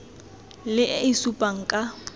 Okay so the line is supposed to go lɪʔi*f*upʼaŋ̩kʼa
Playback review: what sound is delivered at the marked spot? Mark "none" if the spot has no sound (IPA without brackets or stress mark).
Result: s